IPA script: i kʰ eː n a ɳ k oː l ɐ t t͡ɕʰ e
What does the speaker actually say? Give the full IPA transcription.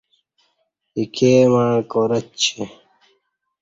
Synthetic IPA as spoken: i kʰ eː m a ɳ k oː ɾ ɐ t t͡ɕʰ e